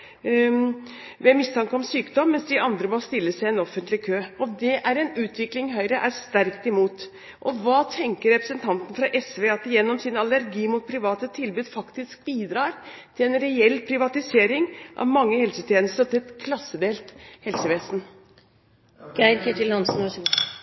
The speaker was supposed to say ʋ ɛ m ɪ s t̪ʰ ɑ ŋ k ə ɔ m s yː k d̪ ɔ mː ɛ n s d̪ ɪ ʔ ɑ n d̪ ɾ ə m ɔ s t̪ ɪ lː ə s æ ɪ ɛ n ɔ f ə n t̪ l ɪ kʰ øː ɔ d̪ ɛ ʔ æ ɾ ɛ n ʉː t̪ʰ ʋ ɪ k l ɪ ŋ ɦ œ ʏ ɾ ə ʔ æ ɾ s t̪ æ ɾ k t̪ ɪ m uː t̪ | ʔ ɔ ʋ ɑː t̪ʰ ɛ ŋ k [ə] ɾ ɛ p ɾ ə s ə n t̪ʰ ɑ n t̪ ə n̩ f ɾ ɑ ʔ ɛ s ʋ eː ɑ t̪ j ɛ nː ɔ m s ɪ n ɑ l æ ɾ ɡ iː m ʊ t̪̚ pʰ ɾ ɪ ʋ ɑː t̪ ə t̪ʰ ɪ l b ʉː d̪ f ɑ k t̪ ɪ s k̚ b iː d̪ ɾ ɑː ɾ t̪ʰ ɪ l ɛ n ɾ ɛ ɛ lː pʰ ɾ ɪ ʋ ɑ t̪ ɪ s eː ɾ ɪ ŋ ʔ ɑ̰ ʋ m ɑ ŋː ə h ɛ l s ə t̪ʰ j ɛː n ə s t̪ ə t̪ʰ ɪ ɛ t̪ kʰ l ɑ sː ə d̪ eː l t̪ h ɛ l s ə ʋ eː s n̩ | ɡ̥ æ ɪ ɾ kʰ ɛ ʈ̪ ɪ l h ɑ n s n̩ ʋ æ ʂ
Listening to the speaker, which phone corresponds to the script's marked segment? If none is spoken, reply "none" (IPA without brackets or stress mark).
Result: ə